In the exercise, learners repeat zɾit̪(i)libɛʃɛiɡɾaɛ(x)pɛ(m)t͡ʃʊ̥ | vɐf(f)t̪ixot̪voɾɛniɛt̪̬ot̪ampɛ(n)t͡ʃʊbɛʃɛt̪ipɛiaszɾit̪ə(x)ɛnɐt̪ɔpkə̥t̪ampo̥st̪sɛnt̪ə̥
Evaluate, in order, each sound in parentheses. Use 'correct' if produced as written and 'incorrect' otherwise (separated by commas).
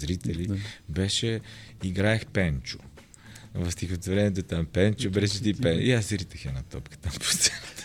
incorrect, correct, incorrect, incorrect, correct, correct